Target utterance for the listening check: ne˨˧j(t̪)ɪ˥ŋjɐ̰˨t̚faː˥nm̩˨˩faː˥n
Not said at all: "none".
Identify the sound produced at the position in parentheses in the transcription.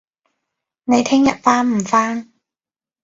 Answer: t̪ʰ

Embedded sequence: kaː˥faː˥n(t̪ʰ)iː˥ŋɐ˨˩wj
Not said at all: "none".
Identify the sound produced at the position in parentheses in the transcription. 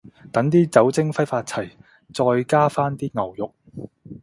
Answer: t̪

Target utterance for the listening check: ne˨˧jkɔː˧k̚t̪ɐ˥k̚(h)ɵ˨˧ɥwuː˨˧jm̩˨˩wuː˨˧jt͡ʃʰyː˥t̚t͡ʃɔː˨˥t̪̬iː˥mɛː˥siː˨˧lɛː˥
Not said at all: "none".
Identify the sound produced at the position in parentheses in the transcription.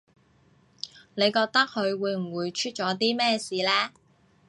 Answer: h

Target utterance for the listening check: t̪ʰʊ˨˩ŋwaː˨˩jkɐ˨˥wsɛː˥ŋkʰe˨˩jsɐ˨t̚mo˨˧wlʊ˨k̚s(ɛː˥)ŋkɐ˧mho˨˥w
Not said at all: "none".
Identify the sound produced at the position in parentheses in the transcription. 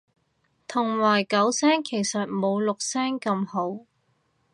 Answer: ɛː˥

